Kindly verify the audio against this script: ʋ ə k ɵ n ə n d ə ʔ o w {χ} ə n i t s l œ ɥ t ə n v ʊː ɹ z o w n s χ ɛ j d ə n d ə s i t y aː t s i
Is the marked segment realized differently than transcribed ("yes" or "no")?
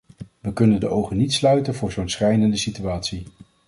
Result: no